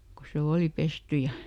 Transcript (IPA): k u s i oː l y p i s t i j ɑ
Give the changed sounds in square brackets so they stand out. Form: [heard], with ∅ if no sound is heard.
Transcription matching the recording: k [o] s [e] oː l [i] p [e] s t [y] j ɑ

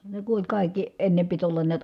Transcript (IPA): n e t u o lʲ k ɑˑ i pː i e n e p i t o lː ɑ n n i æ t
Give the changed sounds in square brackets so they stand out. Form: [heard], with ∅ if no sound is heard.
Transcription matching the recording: n e [k] u o lʲ k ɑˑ i [kː] i e [nː] e p i t o lː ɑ n n i æ t

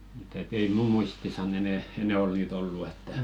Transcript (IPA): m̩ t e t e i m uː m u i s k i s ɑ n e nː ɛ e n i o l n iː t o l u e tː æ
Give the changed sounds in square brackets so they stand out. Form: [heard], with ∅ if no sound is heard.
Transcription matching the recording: m̩ t e t e i m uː m u i s [t] i s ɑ n e [n] ɛ e n [ɛ] o l n iː t o [lː] u e tː æ

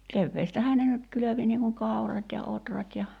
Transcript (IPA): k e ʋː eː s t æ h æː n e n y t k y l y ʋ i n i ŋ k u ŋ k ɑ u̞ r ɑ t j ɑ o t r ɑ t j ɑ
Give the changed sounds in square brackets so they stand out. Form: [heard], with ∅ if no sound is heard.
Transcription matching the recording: k e ʋː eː s t æ h æː n e n y t k y l [ø] ʋ i n [iː] ŋ k u ŋ k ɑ u̞ r ɑ t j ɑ o t r ɑ t j ɑ

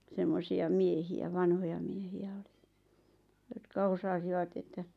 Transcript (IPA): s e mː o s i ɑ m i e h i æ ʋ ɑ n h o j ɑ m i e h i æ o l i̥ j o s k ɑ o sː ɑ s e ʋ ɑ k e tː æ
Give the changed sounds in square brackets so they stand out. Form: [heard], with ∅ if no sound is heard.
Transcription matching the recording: s e mː o s i ɑ m i e h i æ ʋ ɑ n h o j ɑ m i e h i æ o l i̥ j o [t] k ɑ o [s] ɑ s [i] ʋ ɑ [t] e tː æ

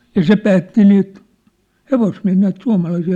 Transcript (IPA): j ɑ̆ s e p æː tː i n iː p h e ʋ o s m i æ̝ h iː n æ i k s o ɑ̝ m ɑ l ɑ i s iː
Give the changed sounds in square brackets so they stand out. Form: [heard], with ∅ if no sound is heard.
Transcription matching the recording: j ɑ̆ s e p æː tː i n iː [t] h e ʋ o s m i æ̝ h iː n æ i [t] s [u] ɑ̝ m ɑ l ɑ i s iː

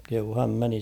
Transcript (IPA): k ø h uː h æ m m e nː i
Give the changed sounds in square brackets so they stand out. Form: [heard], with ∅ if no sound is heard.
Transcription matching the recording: k [e] h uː h æ m m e [n] i

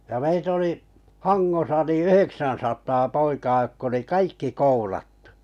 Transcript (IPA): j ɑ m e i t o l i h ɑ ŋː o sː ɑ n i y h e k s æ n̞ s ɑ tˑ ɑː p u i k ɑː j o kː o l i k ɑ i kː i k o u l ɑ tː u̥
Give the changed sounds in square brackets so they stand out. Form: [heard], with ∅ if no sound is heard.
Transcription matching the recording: j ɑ m e i t o l i h ɑ ŋː o [s] ɑ n i y h e k s æ n̞ s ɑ tˑ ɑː p [o] i k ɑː j o kː o l i k ɑ i kː i k o u l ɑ tː u̥

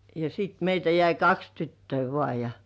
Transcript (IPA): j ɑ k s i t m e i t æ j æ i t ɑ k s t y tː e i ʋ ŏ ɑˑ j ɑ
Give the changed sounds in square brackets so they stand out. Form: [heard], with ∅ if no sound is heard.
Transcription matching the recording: j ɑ [∅] s i t m e i t æ j æ i [k] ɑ k s t y tː [ø] i ʋ ŏ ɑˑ j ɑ

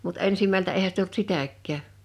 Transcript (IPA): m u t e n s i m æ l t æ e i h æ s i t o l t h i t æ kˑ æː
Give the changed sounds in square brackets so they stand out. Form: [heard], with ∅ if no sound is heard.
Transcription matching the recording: m u t e n s i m æ l t æ e i h æ s i t o l t [s] i t æ kˑ æː

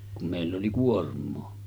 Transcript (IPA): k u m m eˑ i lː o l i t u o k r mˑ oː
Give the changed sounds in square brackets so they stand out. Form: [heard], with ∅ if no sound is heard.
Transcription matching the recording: k u m m eˑ i lː o l i [k] u o [∅] r mˑ oː

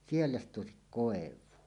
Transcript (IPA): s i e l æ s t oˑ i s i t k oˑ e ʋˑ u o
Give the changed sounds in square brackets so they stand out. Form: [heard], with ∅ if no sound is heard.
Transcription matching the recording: s i e [lː] æ s t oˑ [e] s i [k] k oˑ e ʋˑ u o

